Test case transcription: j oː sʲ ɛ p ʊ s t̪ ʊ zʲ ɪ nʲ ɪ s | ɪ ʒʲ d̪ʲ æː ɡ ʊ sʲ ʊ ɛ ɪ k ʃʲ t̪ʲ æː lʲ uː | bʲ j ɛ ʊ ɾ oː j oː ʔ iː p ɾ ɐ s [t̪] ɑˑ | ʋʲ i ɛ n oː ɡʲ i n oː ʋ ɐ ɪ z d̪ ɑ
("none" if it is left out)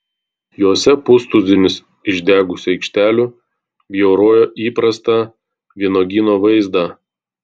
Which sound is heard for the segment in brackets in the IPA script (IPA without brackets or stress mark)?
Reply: t̪